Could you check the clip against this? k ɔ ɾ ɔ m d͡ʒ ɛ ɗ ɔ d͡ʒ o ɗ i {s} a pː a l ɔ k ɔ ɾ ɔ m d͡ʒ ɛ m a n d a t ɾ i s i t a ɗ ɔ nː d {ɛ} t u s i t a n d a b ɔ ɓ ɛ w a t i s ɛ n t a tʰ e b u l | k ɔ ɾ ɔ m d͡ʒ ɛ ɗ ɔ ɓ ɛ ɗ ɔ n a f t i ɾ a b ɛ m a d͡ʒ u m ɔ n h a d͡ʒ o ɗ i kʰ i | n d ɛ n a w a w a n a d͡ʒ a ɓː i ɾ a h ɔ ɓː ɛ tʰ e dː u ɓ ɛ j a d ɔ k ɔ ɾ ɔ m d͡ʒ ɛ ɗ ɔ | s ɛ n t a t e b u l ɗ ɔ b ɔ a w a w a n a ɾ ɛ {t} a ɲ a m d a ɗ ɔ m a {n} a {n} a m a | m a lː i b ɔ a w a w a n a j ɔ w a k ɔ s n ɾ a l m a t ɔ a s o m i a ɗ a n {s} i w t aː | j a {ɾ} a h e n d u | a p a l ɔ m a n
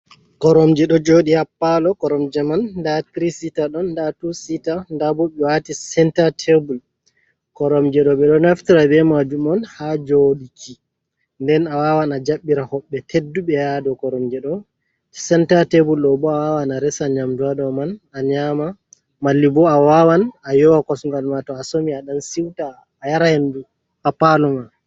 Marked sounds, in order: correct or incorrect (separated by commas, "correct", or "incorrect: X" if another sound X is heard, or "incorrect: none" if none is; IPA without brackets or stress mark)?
incorrect: h, incorrect: a, incorrect: s, correct, incorrect: ɲ, correct, correct